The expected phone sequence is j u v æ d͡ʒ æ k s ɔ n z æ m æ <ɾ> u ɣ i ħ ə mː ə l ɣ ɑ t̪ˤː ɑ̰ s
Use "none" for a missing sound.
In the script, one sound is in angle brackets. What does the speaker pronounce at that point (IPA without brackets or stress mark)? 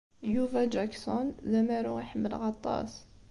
ɾ